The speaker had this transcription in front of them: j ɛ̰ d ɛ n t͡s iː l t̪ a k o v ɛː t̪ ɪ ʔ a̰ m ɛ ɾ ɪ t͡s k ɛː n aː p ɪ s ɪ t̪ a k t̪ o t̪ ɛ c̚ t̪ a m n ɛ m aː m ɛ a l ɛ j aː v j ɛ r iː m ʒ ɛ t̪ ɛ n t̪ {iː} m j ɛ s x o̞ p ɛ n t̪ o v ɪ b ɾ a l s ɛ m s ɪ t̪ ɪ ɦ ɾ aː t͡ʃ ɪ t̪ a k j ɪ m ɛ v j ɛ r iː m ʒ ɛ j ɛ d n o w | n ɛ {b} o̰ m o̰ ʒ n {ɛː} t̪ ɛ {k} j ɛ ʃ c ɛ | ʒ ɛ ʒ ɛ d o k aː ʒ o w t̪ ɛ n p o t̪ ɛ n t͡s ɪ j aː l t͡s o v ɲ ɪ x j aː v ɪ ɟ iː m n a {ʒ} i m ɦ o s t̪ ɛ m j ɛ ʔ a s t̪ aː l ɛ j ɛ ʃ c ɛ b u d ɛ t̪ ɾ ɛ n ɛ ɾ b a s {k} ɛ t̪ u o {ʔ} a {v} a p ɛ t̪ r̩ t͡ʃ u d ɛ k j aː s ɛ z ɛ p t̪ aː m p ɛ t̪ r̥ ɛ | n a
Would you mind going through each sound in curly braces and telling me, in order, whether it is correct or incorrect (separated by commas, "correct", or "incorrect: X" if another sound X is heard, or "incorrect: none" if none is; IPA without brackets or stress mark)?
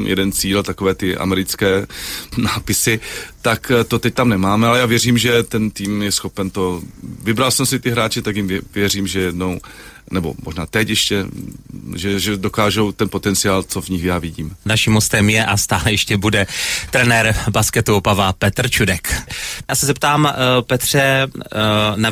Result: correct, correct, incorrect: aː, incorrect: c, incorrect: ʃ, correct, incorrect: p, correct